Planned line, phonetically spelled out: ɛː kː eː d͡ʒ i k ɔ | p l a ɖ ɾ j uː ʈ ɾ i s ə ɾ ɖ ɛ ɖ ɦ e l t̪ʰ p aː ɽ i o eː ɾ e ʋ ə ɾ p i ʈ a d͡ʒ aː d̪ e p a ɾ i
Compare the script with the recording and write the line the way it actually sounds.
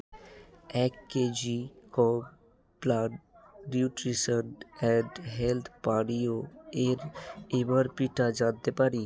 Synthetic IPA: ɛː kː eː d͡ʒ i k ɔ | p l a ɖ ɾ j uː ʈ ɾ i s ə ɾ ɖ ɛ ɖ ɦ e l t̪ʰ p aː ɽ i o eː ɾ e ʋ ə ɾ p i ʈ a d͡ʒ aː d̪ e p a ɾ i